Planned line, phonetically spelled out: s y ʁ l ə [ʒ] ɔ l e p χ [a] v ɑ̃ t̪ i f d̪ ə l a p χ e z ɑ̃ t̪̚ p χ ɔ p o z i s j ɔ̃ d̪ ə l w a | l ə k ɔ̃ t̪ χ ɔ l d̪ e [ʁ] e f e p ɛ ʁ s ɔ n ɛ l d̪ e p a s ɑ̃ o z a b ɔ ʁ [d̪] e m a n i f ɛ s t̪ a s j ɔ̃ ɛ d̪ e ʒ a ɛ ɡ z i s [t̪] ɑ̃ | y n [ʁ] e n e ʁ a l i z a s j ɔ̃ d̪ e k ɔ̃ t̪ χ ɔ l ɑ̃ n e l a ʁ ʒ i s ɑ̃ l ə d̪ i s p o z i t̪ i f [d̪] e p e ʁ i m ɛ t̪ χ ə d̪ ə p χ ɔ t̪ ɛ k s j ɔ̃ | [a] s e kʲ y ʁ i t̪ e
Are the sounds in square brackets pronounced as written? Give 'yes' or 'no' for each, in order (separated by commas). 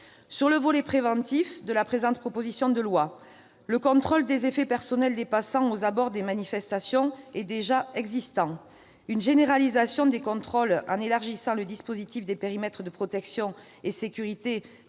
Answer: no, no, no, yes, yes, no, yes, no